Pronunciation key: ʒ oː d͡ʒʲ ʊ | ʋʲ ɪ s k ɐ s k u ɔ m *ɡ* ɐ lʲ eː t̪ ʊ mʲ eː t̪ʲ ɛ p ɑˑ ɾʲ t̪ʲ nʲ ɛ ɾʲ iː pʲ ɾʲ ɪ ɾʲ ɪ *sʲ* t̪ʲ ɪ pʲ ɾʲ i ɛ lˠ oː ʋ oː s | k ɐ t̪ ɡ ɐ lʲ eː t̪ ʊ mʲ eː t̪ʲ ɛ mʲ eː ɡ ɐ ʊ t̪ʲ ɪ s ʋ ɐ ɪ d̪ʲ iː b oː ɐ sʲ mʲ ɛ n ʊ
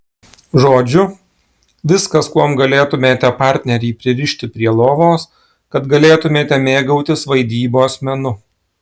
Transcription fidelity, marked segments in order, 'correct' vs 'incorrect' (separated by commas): correct, incorrect